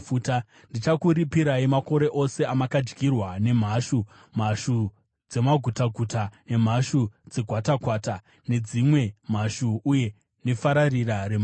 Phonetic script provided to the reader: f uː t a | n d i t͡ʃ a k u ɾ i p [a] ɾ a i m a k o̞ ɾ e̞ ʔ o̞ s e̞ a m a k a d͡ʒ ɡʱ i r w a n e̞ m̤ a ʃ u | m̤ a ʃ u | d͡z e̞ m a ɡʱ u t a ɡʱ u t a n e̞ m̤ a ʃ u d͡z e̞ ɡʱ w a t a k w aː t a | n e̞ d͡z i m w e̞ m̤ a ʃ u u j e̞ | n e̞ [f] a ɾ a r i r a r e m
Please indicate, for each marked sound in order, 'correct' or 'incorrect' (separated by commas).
incorrect, correct